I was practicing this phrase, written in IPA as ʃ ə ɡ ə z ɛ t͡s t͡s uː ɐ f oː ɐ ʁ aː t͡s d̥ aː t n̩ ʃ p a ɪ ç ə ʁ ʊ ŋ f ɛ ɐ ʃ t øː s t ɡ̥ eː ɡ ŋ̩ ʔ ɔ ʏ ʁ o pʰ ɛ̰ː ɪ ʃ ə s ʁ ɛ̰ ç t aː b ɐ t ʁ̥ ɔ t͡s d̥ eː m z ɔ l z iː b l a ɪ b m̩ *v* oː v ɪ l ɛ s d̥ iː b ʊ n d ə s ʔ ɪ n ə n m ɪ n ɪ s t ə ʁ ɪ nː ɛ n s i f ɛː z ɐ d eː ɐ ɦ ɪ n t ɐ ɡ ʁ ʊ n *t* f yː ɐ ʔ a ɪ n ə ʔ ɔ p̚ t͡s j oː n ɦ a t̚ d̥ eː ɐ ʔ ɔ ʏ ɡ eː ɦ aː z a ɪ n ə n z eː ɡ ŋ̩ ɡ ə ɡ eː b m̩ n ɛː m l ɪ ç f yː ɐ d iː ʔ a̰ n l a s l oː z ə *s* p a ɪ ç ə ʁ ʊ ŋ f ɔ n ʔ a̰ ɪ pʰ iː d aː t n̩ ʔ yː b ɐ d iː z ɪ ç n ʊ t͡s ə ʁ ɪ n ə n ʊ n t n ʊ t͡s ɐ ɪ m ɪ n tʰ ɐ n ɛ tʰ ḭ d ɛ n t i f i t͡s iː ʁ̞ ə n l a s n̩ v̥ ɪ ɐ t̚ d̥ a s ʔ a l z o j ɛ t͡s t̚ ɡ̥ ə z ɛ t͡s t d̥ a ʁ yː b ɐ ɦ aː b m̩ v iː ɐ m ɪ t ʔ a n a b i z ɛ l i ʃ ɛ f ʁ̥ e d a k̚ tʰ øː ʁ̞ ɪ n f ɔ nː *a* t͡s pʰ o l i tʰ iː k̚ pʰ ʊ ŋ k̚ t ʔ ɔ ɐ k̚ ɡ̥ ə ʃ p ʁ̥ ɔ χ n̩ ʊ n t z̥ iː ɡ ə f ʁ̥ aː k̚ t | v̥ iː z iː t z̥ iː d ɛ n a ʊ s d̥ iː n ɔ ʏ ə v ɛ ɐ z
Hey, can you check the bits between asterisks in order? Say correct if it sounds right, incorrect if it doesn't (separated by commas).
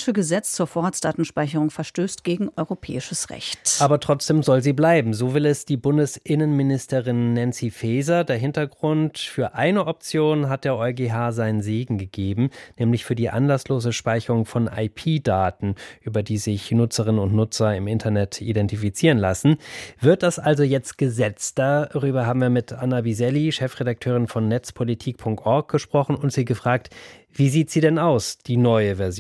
incorrect, correct, incorrect, incorrect